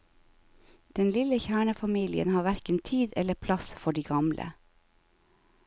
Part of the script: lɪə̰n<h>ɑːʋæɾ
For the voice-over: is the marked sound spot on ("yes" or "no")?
yes